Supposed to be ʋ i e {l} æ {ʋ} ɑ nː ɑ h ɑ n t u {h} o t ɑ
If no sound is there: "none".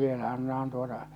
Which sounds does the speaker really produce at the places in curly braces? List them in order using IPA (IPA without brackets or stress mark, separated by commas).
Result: l, none, none